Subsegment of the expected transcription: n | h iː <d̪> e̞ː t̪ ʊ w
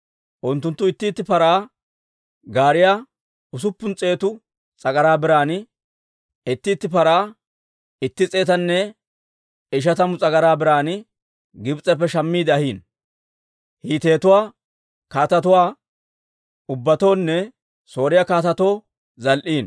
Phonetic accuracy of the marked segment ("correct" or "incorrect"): incorrect